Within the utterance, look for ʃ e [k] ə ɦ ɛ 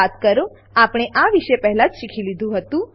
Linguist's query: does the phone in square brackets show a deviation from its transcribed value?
yes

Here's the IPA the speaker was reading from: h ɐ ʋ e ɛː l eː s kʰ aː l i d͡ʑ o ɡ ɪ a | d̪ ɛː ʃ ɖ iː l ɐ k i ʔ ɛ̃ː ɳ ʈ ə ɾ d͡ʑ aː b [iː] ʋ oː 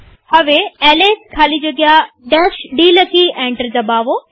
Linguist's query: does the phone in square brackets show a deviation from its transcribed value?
yes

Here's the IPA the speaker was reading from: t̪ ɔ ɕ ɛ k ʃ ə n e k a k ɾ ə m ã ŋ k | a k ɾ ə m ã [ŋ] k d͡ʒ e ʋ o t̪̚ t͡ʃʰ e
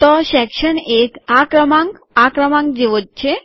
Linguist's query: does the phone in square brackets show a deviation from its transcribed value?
no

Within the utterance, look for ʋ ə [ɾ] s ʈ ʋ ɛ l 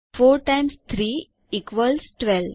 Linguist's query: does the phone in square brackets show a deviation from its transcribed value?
yes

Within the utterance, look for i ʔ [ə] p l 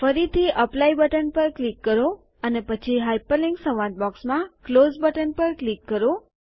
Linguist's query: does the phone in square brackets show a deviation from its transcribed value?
no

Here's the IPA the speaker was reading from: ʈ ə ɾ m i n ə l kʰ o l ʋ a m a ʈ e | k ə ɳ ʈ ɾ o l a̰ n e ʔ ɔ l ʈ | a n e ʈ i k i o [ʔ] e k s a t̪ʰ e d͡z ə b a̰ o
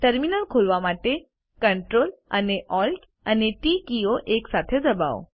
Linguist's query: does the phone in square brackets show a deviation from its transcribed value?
no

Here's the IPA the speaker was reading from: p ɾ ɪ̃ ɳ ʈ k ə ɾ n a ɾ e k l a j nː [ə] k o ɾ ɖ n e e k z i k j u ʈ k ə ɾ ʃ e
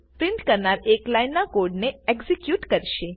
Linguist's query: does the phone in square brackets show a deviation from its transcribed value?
yes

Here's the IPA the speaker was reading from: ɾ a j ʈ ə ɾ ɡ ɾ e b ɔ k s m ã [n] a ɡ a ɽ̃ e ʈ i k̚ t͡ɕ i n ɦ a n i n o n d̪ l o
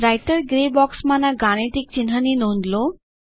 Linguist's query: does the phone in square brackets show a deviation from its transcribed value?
no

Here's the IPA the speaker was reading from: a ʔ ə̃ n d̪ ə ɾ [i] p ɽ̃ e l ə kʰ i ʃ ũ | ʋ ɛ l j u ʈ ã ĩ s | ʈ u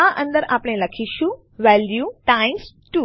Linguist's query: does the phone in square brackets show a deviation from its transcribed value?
yes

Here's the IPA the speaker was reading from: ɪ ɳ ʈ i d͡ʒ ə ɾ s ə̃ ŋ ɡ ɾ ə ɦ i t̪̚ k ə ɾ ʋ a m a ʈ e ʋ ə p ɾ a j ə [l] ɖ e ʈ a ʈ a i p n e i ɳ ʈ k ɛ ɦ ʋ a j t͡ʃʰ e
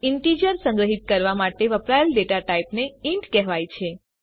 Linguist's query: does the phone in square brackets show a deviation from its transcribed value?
no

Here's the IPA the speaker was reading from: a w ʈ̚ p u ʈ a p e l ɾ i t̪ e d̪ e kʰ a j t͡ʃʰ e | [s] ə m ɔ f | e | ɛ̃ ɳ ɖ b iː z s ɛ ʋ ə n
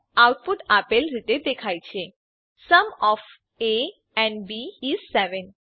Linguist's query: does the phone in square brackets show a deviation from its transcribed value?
no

